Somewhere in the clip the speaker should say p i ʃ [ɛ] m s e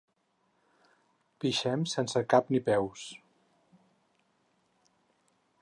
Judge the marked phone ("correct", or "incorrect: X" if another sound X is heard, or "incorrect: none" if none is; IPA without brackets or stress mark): correct